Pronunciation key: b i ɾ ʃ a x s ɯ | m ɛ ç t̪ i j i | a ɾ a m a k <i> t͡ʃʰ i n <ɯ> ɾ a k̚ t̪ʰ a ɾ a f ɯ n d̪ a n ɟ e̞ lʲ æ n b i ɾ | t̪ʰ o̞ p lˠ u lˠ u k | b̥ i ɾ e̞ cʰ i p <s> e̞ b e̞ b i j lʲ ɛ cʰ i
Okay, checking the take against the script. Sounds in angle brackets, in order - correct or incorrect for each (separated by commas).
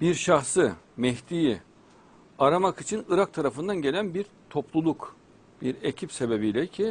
correct, correct, correct